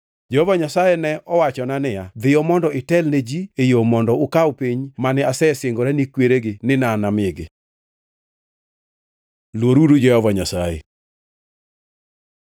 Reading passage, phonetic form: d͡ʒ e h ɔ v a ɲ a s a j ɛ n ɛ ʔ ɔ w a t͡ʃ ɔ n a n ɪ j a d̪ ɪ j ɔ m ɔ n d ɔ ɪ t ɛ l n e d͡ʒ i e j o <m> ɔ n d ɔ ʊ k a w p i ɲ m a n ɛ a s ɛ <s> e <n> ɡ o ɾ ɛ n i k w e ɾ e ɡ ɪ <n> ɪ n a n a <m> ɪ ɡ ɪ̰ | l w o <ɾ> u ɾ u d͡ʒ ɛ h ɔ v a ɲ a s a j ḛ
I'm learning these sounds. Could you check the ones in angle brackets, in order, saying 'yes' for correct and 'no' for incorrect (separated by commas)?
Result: yes, yes, no, yes, yes, yes